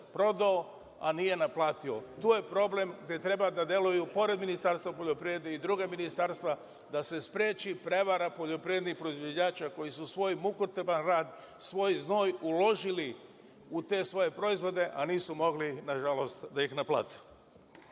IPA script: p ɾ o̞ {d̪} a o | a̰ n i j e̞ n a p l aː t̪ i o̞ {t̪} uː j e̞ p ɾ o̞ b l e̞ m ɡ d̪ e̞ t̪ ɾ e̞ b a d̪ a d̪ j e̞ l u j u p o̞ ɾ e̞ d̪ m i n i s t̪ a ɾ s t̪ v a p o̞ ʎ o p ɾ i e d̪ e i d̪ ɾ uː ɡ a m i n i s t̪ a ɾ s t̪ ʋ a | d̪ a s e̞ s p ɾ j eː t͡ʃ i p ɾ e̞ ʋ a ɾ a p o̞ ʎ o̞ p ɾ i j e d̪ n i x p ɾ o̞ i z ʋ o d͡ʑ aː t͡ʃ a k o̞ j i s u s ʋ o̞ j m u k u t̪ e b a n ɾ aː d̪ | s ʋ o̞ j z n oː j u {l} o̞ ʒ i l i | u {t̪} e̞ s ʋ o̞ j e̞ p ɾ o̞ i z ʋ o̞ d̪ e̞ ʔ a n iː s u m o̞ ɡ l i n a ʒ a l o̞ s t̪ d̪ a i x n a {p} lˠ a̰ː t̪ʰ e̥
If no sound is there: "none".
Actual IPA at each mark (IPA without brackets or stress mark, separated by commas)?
d̪, t̪, l, t̪, p